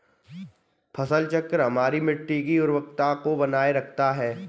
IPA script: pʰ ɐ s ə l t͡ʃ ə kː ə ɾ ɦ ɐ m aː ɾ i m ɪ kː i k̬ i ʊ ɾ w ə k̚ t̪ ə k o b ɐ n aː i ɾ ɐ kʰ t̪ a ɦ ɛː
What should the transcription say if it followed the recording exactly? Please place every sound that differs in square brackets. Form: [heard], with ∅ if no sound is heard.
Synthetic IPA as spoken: pʰ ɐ s ə l t͡ʃ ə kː ə ɾ ɦ ɐ m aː ɾ i m ɪ [ʈː] i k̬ i ʊ ɾ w ə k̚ t̪ [a] k o b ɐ n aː [e] ɾ ɐ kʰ t̪ a ɦ ɛː